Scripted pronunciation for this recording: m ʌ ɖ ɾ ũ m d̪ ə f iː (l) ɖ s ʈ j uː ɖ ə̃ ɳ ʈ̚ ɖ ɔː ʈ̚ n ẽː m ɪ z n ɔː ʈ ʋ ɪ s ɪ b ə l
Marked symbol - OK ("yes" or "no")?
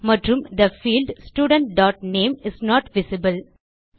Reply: yes